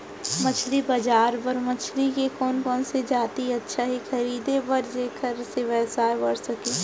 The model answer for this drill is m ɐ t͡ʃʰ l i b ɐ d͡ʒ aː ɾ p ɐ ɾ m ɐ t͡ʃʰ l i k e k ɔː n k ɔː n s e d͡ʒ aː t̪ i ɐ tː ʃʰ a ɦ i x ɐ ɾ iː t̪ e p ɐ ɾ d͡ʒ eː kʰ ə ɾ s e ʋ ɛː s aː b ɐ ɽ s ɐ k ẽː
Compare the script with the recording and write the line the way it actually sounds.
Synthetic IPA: m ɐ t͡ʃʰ l i b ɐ d͡ʒ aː ɾ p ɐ ɾ m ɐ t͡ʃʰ l i k e k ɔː n k ɔː n s e d͡ʒ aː t̪ i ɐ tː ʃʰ a ɦ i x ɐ ɾ iː d̪ e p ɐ ɾ d͡ʒ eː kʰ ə ɾ s e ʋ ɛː s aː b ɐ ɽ s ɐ k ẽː

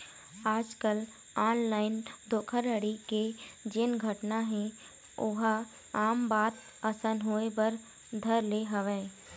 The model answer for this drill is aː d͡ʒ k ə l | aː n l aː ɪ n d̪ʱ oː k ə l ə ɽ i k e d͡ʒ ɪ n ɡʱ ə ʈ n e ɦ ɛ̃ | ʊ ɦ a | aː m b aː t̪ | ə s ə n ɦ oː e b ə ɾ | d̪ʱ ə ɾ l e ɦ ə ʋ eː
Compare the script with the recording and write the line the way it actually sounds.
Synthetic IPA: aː d͡ʒ k ə l | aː n l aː ɪ n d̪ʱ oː kʰ ə ɾ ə ɽ i k e d͡ʒ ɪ n ɡʱ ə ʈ n a ɦ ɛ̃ | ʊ ɦ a | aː m b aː t̪ | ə s ə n ɦ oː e b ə ɾ | d̪ʱ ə ɾ l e ɦ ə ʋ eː

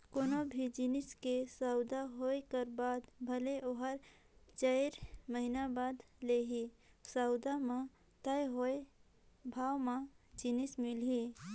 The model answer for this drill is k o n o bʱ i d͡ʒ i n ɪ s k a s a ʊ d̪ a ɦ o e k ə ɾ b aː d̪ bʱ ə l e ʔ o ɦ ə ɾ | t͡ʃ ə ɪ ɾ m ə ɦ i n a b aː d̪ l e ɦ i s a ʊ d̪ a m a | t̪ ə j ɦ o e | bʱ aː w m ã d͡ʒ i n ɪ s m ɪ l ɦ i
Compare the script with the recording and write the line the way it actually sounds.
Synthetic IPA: k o n o bʱ i d͡ʒ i n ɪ s k e s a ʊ d̪ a ɦ o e k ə ɾ b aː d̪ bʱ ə l e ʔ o ɦ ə ɾ | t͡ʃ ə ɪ ɾ m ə ɦ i n a b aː d̪ l e ɦ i s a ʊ d̪ a m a | t̪ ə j ɦ o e | bʱ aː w m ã d͡ʒ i n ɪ s m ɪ l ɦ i

